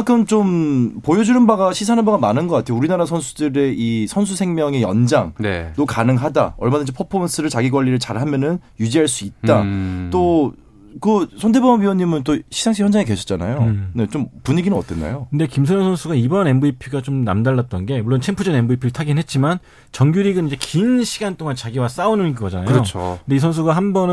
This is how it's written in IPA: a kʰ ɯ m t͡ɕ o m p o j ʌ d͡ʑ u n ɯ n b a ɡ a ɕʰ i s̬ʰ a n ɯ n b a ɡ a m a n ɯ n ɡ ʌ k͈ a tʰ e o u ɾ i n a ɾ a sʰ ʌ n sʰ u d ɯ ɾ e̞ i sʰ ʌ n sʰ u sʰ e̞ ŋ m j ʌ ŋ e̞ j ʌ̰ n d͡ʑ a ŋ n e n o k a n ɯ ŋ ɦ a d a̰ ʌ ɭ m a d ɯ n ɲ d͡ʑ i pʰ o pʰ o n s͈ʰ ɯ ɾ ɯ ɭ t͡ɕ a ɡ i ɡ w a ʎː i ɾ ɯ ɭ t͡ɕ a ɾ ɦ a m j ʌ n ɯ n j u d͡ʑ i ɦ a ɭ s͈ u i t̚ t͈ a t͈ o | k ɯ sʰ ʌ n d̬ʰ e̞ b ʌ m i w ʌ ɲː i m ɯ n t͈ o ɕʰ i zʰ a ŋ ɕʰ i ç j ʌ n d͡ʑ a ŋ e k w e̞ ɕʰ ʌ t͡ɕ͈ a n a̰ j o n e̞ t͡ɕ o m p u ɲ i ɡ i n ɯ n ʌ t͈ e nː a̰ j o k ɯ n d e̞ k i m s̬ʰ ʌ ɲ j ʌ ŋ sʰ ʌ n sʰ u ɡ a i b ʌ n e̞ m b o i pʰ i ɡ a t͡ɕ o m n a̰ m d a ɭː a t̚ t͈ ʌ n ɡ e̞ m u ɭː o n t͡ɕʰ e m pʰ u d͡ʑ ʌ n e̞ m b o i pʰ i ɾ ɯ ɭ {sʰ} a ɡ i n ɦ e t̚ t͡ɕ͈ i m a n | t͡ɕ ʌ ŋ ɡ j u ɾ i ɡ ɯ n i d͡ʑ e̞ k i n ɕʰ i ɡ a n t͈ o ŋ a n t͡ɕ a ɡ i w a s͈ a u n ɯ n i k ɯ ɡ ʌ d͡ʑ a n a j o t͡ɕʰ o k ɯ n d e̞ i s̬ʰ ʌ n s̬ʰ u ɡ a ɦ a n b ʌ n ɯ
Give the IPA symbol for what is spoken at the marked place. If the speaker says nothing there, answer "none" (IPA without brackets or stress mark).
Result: tʰ